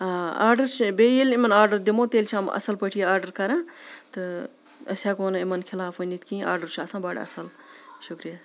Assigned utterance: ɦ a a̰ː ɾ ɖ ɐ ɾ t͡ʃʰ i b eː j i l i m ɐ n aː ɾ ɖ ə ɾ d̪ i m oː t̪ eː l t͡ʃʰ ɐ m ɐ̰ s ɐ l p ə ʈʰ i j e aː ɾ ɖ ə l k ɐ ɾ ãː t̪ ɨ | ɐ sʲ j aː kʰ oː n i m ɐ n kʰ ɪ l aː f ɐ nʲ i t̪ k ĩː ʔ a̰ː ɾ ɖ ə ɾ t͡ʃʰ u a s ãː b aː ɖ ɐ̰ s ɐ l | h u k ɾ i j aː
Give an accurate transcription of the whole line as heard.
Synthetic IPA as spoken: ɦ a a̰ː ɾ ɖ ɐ ɾ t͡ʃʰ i b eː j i l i m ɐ n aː ɾ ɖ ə ɾ d̪ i m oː t̪ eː l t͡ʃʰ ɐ m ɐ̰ s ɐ l p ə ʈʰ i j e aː ɾ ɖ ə ɾ k ɐ ɾ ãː t̪ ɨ | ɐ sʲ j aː k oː n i m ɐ n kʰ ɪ l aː f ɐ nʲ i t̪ k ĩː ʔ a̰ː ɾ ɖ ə ɾ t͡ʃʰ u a s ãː b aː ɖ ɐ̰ s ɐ l | ʃ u k ɾ i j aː